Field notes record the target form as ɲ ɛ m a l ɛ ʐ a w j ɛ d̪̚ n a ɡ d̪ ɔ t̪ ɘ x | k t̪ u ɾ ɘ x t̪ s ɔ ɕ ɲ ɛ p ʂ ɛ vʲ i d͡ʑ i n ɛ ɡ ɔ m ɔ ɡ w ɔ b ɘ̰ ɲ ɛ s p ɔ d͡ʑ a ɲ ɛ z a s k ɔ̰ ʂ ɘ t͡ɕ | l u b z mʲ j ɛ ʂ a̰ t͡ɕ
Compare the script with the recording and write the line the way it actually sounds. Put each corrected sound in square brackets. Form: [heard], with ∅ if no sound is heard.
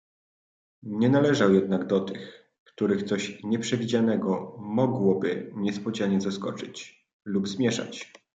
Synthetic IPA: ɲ ɛ [n] a l ɛ ʐ a w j ɛ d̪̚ n a ɡ d̪ ɔ t̪ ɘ x | k t̪ u ɾ ɘ x t̪ s ɔ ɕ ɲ ɛ p ʂ ɛ vʲ i d͡ʑ [a] n ɛ ɡ ɔ m ɔ ɡ w ɔ b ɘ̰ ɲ ɛ s p ɔ d͡ʑ a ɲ ɛ z a s k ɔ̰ [t͡ʂ] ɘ t͡ɕ | l u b z mʲ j ɛ ʂ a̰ t͡ɕ